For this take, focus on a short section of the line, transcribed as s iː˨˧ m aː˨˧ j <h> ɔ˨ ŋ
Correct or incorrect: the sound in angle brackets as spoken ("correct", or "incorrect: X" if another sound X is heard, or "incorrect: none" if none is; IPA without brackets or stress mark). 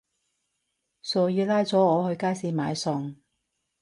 incorrect: s